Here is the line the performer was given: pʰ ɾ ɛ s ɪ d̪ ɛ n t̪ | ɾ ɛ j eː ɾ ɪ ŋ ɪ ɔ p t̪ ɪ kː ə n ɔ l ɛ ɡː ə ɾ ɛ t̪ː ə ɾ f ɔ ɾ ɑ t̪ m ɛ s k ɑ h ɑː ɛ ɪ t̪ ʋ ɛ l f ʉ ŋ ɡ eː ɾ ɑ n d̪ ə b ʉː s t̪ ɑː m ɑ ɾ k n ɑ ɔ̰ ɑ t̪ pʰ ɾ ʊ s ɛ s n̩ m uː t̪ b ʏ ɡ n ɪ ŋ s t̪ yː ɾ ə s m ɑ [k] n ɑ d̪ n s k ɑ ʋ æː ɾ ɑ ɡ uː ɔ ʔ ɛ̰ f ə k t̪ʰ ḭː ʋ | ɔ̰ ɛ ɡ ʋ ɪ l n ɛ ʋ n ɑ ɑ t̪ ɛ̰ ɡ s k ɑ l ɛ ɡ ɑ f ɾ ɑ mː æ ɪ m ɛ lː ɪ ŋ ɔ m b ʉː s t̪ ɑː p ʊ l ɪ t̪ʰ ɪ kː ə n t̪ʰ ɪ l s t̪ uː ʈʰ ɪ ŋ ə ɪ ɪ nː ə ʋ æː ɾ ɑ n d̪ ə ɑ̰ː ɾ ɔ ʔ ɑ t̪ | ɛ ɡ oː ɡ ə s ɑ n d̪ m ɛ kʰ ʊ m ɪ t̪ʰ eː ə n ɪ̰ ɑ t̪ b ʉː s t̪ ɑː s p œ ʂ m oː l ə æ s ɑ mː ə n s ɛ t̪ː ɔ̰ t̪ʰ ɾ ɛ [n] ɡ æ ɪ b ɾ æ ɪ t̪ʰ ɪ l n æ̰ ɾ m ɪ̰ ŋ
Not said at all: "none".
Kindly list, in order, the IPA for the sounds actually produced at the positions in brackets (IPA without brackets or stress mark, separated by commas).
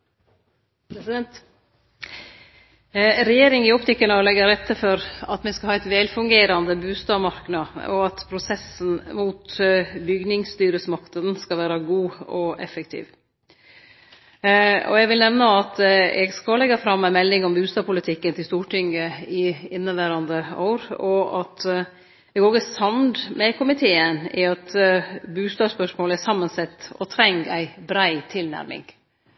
k, ŋ